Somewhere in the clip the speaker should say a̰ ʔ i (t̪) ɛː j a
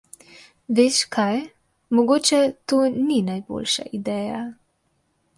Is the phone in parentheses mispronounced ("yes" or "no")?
yes